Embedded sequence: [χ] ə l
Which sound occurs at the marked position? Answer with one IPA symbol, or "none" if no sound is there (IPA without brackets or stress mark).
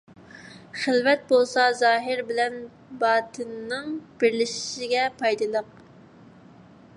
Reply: χ